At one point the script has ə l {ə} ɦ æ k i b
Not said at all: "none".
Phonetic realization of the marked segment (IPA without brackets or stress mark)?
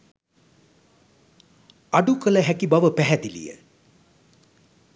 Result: ə